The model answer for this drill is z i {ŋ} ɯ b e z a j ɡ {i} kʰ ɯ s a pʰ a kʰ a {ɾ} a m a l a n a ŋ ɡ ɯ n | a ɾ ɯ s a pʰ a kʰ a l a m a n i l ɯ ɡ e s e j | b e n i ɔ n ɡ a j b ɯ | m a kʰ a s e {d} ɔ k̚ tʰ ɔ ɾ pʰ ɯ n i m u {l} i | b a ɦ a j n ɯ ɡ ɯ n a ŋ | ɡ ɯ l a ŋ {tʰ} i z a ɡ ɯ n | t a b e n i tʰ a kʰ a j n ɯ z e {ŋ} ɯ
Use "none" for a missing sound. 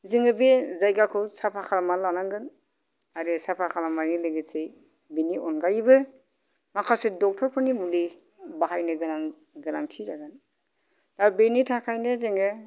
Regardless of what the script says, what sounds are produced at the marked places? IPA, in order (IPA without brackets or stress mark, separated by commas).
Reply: ŋ, a, l, d, l, tʰ, ŋ